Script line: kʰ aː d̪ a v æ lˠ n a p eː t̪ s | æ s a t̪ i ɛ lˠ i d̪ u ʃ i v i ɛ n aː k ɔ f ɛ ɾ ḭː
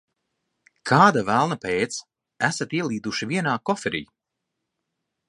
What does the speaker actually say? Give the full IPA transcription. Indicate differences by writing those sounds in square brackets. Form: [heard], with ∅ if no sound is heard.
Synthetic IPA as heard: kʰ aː d̪ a v æ lˠ n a p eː t̪ s | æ s a t̪ i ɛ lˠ [iː] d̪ u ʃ i v i ɛ n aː k ɔ f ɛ ɾ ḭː